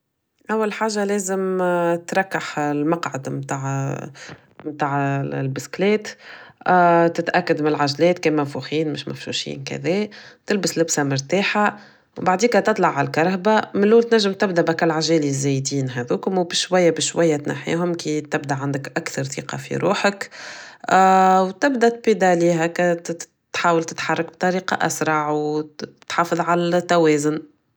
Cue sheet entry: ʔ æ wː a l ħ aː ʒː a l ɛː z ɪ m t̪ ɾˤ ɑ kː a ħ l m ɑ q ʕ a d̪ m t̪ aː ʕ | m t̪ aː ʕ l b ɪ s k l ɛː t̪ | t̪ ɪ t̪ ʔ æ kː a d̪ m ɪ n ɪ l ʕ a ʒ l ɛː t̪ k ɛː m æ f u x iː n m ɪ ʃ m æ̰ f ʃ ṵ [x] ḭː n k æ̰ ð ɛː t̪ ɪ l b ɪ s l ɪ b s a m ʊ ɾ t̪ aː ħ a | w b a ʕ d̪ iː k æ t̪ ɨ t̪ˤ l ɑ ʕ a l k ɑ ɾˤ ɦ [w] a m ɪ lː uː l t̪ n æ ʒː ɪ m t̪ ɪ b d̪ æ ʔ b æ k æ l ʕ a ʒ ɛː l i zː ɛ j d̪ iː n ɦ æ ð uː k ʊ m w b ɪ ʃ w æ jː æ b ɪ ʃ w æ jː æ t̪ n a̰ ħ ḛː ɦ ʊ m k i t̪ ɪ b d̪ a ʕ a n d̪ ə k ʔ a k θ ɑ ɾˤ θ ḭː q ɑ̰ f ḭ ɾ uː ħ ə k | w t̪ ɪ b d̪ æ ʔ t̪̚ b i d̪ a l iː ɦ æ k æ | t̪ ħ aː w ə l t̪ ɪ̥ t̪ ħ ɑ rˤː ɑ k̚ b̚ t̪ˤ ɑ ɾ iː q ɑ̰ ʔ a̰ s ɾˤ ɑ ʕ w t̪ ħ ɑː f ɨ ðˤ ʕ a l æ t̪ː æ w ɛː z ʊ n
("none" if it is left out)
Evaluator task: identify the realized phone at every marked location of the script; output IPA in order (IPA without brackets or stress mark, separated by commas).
ʃ, b